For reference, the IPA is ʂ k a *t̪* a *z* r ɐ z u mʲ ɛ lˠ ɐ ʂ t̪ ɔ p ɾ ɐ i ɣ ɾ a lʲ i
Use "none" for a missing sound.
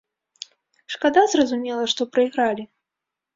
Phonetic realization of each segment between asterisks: d̪, z

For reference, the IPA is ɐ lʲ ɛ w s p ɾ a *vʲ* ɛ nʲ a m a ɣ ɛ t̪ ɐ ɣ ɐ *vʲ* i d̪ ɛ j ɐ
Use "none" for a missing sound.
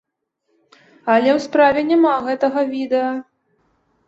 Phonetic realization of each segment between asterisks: vʲ, vʲ

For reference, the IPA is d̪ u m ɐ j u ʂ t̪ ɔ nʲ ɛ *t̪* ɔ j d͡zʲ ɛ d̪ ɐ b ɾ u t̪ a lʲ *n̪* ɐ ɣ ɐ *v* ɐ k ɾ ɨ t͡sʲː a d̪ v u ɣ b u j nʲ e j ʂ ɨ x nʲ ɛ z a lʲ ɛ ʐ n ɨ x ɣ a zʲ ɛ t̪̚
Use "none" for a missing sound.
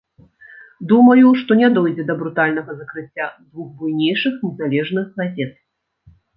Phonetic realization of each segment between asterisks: d̪, n̪, z

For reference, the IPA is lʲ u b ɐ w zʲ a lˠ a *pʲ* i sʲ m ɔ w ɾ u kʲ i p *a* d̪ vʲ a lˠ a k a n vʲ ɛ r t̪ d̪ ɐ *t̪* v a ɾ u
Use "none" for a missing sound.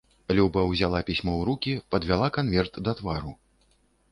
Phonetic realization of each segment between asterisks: pʲ, ɐ, t̪

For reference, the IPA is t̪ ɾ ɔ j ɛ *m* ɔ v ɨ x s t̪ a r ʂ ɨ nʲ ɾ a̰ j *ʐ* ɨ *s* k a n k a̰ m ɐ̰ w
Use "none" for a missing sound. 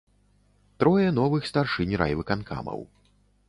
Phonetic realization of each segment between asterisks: n, v, none

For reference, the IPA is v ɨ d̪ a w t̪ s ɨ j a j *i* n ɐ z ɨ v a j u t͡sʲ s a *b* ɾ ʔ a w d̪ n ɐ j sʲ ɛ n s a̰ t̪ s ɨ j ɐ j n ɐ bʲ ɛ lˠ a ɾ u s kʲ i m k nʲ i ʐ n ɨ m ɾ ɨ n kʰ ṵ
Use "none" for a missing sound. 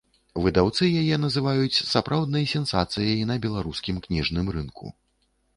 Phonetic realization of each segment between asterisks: ɛ, p

